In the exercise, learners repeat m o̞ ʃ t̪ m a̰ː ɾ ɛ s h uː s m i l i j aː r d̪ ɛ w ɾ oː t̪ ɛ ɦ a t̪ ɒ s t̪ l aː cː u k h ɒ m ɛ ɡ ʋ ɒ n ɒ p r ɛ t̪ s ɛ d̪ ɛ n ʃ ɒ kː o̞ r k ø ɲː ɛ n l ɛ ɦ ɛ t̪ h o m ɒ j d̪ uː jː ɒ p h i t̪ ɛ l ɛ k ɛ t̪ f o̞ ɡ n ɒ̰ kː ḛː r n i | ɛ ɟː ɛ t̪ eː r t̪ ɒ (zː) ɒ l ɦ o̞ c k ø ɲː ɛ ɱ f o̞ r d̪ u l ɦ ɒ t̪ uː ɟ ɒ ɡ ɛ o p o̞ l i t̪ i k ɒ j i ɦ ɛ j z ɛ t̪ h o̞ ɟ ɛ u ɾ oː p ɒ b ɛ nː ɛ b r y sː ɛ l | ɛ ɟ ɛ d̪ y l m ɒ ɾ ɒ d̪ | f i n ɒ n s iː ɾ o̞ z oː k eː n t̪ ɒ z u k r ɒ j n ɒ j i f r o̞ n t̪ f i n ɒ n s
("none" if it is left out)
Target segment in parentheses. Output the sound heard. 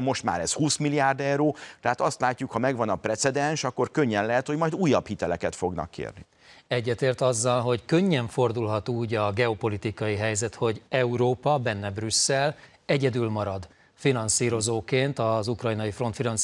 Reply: zː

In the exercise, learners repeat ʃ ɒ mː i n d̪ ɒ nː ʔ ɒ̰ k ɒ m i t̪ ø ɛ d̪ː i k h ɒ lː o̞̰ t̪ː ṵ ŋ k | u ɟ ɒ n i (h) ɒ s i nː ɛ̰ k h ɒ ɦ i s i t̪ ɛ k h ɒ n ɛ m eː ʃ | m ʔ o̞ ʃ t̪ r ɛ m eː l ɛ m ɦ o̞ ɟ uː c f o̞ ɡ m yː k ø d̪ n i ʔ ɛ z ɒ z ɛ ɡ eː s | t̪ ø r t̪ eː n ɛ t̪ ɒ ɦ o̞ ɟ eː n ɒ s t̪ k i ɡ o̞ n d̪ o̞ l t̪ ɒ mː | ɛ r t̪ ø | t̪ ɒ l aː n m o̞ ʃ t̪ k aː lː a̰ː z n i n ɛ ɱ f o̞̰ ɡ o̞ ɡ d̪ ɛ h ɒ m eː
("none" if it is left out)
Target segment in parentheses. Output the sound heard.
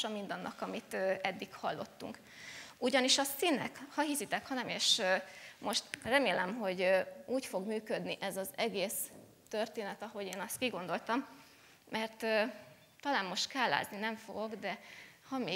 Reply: ʃ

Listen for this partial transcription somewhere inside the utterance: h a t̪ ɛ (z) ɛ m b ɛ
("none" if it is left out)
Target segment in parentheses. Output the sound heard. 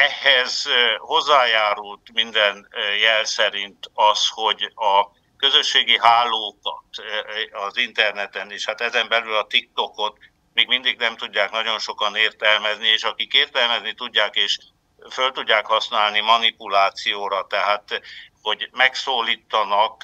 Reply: z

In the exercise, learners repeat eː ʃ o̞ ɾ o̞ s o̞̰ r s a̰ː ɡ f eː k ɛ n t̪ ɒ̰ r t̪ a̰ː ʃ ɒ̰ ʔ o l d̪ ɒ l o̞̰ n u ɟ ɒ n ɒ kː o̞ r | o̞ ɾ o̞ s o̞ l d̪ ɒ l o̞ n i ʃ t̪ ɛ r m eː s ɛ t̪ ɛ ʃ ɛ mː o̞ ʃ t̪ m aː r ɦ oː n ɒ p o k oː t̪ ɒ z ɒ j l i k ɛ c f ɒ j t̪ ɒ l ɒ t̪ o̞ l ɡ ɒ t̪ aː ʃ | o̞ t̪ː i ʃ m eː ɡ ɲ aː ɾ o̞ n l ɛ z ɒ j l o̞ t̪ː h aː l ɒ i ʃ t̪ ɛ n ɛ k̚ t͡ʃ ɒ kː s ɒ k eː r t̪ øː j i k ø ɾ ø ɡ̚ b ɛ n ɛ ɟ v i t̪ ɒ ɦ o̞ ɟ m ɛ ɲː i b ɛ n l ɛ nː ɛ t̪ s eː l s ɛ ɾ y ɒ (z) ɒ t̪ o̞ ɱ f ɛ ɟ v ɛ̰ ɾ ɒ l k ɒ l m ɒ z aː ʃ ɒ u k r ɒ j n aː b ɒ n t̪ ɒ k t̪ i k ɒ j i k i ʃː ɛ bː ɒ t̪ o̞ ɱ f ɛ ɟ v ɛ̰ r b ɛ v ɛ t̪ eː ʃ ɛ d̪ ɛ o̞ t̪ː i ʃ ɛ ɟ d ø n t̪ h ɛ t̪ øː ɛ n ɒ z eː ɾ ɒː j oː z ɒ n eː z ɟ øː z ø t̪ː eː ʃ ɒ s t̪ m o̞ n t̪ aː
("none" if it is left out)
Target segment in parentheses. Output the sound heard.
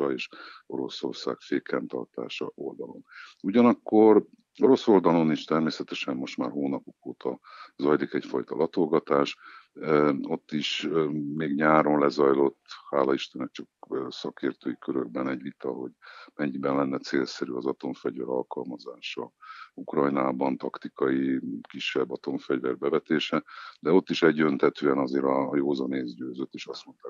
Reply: z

